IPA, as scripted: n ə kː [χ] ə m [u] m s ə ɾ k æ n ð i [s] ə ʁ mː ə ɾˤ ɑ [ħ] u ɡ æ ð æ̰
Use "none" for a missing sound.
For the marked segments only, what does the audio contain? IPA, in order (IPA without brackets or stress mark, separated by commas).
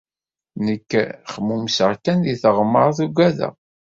χ, u, θ, θ